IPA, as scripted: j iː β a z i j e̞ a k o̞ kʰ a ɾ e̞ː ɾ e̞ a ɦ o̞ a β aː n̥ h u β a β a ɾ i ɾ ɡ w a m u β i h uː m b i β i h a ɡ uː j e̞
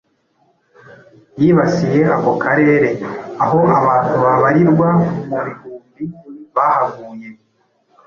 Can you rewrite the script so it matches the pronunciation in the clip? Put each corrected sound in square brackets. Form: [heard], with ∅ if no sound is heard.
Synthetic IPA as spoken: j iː β a [s] i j e̞ a k o̞ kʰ a ɾ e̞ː ɾ e̞ a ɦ o̞ a β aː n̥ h u β a β a ɾ i ɾ ɡ w a m u β i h uː m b i β [a] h a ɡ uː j e̞